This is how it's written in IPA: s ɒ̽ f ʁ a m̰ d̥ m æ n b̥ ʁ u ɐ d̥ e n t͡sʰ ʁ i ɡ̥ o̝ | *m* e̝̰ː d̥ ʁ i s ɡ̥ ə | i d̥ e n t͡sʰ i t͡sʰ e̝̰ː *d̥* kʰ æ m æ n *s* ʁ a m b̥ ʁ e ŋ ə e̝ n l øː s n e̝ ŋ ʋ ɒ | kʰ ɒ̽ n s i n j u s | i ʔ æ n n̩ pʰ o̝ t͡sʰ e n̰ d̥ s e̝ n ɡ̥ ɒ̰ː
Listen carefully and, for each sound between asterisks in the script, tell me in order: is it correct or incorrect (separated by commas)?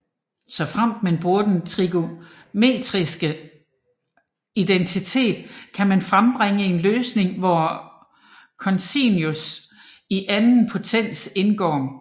correct, correct, incorrect